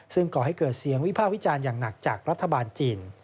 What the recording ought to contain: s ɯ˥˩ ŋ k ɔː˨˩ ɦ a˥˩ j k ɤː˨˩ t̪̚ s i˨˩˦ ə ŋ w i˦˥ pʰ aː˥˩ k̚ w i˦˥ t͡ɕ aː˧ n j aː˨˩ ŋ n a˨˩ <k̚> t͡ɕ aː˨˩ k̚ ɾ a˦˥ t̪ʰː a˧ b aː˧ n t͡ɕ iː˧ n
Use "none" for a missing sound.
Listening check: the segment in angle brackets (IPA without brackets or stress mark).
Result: k̚